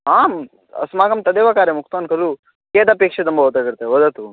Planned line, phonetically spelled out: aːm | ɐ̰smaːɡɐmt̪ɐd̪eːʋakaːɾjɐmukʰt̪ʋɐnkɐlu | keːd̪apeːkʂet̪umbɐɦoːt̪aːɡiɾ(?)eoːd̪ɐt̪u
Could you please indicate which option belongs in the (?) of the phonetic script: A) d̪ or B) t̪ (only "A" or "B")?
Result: B